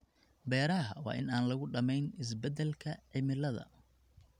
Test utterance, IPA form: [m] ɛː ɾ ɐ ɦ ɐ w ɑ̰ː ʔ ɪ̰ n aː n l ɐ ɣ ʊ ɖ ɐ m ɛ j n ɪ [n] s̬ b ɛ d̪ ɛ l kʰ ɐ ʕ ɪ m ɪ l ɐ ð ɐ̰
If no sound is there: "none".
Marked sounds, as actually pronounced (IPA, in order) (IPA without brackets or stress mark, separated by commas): b, none